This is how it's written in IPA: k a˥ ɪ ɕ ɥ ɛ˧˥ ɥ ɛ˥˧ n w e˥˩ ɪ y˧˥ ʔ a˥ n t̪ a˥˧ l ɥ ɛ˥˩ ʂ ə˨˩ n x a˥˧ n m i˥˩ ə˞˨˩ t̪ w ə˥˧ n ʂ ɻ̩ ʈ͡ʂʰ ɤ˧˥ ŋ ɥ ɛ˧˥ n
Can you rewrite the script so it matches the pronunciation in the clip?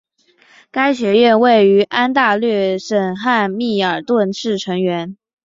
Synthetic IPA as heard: k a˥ ɪ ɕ ɥ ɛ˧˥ ɥ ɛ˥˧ n w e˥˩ ɪ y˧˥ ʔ a˥ n t̪ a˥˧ l ɥ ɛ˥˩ ʂ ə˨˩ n x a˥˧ n m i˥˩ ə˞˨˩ t̪ w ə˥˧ n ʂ ɻ̩ ʈ͡ʂʰ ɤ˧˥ ŋ ɥ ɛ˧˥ n